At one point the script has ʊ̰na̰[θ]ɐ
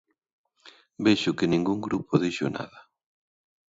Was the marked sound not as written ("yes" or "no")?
yes